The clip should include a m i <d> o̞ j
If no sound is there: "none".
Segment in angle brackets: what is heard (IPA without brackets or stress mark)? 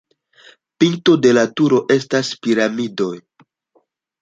d